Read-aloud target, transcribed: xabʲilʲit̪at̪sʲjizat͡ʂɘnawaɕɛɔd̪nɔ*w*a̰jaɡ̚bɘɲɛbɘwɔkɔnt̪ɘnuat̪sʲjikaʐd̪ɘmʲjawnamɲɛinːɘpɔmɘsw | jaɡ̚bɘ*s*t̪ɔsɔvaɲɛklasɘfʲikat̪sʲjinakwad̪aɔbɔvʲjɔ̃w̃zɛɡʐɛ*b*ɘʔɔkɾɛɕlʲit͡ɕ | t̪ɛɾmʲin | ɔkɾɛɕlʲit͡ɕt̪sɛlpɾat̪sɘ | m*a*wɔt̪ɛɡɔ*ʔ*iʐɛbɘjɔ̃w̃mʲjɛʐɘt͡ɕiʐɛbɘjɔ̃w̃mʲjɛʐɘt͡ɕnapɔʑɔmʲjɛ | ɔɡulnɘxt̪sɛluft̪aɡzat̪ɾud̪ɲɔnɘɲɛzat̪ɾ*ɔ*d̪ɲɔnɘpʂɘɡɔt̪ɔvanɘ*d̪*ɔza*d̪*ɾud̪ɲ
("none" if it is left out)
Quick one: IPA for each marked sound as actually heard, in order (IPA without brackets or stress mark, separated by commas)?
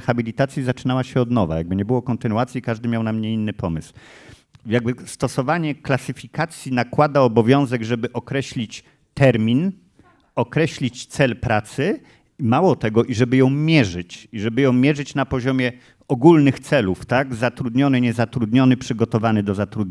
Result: v, s, b, a, ʔ, u, d̪, t̪